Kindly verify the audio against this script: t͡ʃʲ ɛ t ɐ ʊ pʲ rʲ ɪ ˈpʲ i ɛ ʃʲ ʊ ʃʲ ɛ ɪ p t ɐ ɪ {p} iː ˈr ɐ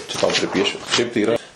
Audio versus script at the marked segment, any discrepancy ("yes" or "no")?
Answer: yes